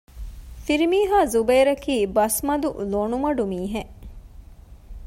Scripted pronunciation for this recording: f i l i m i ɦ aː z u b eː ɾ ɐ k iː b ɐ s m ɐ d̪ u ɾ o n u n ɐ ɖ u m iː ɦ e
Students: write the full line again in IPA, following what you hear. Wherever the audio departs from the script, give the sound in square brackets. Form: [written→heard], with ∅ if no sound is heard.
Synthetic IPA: f i [l→ɾ] i m [i→iː] ɦ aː z u b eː ɾ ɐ k iː b ɐ s m ɐ d̪ u [ɾ→l] o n u [n→m] ɐ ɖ u m iː ɦ e